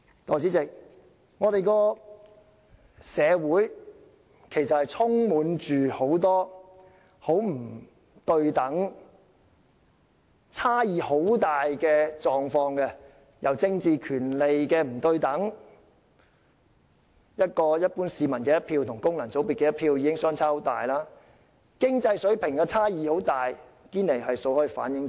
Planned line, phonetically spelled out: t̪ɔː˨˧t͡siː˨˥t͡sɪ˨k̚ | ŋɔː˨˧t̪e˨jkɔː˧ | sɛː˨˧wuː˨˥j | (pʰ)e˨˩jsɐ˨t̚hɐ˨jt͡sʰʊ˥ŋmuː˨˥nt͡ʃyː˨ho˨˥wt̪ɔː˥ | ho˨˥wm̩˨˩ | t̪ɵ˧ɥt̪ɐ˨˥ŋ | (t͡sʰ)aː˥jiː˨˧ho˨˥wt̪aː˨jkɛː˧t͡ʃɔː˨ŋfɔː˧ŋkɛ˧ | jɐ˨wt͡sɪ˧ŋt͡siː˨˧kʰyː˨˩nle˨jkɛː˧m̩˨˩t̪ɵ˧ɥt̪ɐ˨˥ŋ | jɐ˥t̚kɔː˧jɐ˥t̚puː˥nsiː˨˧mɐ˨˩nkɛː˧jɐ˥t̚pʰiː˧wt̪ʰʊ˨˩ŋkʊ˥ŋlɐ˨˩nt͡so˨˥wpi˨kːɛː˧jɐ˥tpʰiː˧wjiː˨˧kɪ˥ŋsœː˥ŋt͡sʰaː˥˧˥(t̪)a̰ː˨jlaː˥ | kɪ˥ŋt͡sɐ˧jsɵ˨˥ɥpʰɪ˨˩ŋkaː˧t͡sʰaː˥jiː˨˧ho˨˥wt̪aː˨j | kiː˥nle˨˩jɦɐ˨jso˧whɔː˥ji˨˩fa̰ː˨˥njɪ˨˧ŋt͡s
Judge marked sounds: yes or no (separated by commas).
no, yes, yes